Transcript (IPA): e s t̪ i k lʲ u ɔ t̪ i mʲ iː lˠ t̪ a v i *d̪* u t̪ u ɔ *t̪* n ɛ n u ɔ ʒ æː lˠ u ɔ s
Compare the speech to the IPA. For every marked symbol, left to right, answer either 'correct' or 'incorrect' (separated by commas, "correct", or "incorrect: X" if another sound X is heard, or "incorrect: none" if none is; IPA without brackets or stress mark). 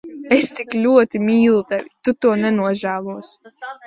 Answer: incorrect: t̪, incorrect: none